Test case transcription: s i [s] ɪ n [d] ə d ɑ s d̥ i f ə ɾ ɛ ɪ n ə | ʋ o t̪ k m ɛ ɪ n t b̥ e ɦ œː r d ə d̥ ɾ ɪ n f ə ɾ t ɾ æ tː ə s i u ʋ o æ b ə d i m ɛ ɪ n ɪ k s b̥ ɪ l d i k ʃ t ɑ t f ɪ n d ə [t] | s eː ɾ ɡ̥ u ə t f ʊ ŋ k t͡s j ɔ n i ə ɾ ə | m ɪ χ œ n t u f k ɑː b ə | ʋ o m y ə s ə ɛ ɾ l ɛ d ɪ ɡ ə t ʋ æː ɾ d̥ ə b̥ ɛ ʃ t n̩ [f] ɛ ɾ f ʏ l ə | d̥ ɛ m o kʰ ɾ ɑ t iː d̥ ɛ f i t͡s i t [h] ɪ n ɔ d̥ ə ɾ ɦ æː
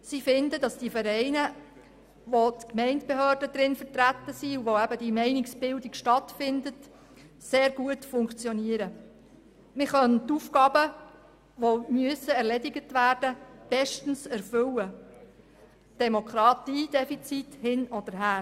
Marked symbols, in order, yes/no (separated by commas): no, yes, yes, no, yes